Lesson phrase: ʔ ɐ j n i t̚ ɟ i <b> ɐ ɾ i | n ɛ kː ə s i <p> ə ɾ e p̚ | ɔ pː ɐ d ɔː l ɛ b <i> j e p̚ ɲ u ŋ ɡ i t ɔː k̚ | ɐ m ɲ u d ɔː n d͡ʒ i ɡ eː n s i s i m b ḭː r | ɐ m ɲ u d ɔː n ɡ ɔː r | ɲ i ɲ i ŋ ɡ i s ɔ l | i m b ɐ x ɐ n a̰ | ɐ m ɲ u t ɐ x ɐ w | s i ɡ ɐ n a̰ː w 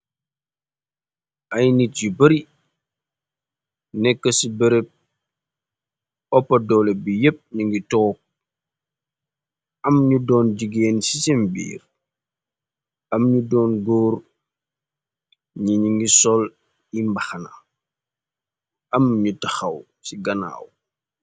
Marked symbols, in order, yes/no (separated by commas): yes, no, yes